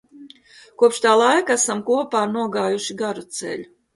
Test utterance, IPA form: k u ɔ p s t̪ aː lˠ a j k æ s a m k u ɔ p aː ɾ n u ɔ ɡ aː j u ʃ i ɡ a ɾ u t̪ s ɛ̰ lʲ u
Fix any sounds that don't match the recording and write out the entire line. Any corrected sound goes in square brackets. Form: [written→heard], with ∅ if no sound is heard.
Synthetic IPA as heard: k u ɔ p [s→ʃ] t̪ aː lˠ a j k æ s a m k u ɔ p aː ɾ n u ɔ ɡ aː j u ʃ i ɡ a ɾ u t̪ s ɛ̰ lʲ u